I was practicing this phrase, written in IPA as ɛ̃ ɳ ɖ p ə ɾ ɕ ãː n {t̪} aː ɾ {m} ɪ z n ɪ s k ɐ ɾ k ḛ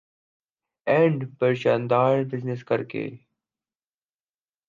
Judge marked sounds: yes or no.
no, no

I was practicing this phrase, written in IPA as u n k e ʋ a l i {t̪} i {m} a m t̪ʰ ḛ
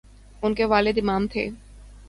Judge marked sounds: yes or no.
no, yes

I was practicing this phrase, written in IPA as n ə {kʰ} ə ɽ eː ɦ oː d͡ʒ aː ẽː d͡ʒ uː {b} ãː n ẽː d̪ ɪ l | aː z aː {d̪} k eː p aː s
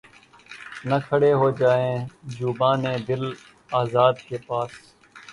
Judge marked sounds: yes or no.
yes, yes, yes

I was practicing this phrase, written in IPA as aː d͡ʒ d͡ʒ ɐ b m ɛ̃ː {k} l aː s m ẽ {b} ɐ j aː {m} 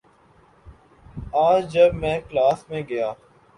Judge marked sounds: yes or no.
yes, no, no

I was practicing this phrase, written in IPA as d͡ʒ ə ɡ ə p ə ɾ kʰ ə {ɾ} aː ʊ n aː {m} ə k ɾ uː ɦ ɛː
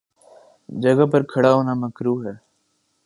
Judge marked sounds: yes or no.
no, yes

